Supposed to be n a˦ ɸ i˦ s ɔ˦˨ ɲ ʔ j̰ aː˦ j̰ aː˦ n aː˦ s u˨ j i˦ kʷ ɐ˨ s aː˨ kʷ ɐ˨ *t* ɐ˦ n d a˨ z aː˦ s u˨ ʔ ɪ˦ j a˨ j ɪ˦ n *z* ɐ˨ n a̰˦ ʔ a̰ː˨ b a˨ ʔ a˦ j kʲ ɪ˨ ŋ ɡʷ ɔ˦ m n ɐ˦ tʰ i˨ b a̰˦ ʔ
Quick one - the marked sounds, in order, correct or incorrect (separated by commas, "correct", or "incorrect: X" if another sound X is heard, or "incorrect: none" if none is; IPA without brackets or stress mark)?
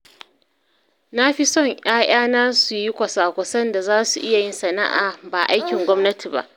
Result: incorrect: s, incorrect: s